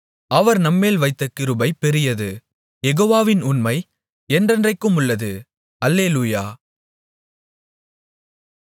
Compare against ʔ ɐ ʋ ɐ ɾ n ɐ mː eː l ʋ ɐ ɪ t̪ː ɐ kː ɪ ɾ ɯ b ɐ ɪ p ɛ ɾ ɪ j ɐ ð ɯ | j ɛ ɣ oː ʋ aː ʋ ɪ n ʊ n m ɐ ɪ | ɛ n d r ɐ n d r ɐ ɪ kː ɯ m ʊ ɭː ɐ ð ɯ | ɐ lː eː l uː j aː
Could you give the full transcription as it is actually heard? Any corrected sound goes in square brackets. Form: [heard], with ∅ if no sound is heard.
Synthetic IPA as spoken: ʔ ɐ ʋ ɐ ɾ n ɐ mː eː l ʋ ɐ ɪ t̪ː ɐ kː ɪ ɾ ɯ b ɐ ɪ p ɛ ɾ ɪ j ɐ ð ɯ | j ɛ ɣ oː ʋ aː ʋ ɪ n ʊ n m ɐ ɪ | ɛ n d r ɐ n d r ɐ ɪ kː ɯ m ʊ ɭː ɐ ð ɯ | ɐ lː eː l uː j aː